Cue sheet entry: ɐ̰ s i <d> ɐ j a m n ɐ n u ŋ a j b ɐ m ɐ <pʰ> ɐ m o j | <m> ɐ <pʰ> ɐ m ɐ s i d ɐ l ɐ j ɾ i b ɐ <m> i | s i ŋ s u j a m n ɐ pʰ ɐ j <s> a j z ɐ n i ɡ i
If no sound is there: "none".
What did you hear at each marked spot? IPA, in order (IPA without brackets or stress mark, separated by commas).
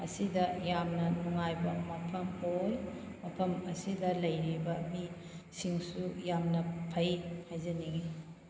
d, pʰ, m, pʰ, m, h